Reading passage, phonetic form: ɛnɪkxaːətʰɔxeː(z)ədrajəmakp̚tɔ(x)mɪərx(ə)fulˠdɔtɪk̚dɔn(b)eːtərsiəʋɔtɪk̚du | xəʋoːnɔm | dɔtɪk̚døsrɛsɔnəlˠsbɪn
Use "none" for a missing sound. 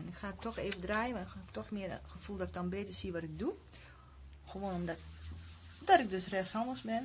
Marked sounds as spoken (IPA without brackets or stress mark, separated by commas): v, x, ə, b